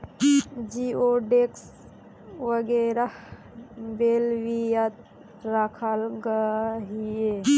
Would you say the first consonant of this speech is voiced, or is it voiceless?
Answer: voiced